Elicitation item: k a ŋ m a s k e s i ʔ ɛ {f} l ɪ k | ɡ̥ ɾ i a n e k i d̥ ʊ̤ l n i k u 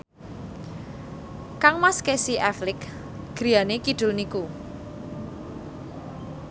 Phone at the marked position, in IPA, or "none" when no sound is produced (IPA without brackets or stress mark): f